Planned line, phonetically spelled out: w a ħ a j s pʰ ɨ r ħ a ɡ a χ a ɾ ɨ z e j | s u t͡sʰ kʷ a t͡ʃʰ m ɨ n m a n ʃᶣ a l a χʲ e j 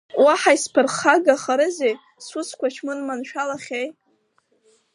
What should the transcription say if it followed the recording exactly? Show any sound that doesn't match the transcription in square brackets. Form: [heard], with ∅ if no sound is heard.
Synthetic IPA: w a ħ a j s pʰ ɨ r [χ] a ɡ a χ a ɾ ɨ z e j | s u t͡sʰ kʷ a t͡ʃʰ m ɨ n m a n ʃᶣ a l a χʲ e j